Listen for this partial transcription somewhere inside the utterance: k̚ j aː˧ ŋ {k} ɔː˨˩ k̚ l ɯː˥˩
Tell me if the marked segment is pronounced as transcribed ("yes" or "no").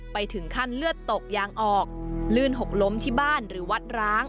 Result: no